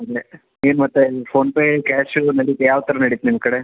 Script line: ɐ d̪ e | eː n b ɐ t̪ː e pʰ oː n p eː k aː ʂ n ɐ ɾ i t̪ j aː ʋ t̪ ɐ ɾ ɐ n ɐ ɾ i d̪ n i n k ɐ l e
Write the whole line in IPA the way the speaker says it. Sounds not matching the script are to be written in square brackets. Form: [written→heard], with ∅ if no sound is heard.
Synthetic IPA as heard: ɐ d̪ e | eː n [b→m] ɐ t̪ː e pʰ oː n p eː k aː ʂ n ɐ [ɾ→ɽ] i t̪ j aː ʋ t̪ ɐ ɾ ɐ n ɐ [ɾ→ɽ] i [d̪→t̪] n i [n→m] k ɐ [l→ɽ] e